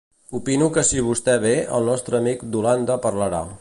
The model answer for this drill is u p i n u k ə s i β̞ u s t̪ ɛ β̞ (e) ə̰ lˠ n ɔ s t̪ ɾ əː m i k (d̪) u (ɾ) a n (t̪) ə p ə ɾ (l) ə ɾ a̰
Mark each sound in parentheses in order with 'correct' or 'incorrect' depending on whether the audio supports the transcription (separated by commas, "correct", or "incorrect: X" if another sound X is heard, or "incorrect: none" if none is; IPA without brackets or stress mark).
correct, correct, incorrect: l, incorrect: d̪, correct